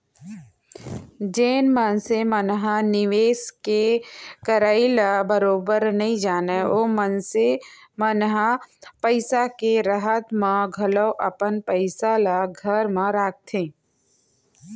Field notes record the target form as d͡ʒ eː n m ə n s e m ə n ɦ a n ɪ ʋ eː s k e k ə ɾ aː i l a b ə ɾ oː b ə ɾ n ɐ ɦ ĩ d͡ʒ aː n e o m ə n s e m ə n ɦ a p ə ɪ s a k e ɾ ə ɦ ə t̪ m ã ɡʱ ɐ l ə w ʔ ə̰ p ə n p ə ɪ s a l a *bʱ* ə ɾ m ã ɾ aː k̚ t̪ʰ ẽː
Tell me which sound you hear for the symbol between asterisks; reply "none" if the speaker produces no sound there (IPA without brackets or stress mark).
ɡʱ